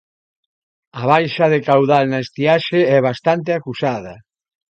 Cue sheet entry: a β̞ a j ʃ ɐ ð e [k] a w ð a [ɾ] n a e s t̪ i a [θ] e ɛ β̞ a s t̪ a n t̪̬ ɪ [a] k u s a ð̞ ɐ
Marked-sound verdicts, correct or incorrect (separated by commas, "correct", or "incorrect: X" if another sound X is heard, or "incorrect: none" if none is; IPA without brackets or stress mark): correct, incorrect: l, incorrect: ʃ, correct